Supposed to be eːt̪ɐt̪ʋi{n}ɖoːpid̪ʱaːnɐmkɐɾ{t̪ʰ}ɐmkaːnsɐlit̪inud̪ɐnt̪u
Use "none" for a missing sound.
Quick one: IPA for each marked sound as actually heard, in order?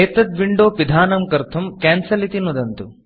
ɳ, t̪ʰ

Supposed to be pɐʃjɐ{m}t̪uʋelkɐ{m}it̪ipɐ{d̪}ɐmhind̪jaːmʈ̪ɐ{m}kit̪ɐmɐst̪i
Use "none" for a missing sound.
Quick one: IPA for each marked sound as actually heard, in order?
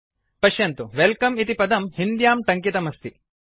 n, m, d̪, ŋ

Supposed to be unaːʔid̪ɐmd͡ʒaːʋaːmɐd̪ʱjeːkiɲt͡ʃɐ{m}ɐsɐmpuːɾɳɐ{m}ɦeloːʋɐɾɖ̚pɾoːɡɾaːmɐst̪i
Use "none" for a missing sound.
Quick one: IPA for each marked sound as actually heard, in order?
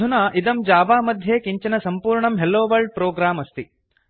n, m

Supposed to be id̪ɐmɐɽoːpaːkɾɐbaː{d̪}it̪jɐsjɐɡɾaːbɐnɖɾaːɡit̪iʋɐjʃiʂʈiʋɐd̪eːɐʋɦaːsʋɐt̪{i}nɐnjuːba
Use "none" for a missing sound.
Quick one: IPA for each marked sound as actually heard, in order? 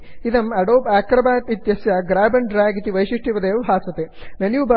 t̪, e

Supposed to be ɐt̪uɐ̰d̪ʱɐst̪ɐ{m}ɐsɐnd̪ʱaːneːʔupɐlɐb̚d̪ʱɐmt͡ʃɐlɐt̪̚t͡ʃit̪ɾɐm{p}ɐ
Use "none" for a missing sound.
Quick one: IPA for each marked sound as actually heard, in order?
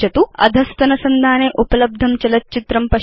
n, p

